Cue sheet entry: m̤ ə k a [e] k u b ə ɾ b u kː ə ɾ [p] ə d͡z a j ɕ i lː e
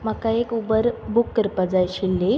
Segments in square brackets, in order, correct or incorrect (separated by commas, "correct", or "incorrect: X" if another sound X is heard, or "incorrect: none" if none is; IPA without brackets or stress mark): correct, correct